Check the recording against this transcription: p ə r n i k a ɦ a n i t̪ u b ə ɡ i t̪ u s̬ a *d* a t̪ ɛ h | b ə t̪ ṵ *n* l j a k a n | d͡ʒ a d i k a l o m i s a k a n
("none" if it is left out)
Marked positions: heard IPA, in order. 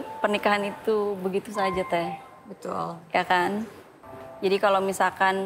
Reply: d͡ʒ, none

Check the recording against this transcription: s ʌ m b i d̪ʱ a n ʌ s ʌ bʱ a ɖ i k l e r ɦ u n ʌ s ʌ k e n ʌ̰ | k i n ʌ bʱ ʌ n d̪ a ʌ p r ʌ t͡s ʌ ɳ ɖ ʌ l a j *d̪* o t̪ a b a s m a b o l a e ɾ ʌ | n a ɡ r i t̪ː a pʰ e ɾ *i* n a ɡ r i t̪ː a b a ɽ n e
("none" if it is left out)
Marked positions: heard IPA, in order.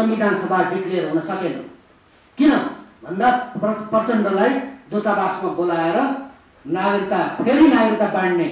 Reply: d̪, i

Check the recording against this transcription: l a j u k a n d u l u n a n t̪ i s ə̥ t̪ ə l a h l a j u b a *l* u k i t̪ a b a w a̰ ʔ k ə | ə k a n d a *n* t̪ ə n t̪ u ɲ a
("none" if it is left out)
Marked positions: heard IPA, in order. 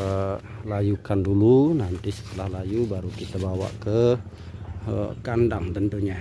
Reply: ɾ, ŋ

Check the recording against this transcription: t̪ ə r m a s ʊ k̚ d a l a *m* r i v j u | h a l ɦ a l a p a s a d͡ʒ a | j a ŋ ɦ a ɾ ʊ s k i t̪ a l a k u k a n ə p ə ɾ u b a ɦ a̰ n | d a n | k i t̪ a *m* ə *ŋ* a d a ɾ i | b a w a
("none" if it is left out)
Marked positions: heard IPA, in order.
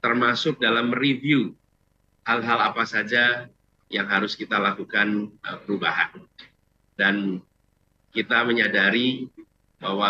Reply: m, m, ɲ

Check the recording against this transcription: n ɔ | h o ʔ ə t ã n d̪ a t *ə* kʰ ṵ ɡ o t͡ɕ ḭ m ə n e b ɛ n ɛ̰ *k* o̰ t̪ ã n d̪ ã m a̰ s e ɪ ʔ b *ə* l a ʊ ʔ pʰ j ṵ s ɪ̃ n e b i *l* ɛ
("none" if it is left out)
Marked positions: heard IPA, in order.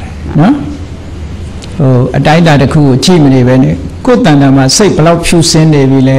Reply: ə, k, ə, l

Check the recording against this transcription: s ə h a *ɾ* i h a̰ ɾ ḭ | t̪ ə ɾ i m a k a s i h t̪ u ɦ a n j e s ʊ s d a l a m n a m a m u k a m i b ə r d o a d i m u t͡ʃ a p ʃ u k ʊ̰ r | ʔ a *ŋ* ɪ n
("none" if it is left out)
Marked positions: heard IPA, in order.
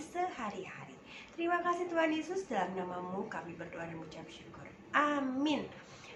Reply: ɾ, m

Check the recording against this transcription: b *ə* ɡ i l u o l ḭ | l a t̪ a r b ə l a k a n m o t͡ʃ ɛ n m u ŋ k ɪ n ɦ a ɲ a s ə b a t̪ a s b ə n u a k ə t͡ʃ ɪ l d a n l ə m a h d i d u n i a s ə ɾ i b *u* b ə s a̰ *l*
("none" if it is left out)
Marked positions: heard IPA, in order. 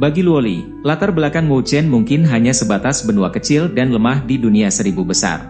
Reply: a, u, r

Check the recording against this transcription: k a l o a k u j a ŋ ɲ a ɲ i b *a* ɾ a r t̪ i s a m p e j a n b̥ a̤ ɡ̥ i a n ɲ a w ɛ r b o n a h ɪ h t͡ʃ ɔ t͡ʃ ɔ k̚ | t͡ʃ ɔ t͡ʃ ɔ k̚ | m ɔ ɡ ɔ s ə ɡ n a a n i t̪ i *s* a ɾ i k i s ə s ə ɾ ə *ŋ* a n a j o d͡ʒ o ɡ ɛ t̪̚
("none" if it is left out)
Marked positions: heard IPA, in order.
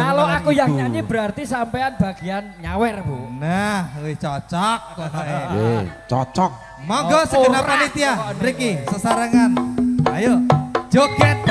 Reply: ə, none, ŋ

